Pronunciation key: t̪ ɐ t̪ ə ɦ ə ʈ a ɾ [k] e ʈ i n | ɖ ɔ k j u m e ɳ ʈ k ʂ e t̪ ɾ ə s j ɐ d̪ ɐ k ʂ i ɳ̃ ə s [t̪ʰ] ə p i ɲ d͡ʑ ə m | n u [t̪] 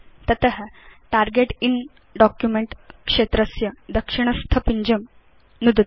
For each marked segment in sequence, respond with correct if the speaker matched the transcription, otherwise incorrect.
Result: incorrect, correct, incorrect

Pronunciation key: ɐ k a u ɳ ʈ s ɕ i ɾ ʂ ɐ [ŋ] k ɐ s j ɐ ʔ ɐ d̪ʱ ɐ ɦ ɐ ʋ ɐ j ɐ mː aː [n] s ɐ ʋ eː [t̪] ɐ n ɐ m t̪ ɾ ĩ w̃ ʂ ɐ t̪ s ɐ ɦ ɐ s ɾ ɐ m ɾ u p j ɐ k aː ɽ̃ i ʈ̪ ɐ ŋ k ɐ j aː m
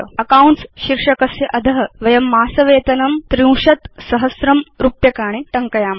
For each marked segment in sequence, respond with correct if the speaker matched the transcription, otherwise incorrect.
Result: incorrect, incorrect, correct

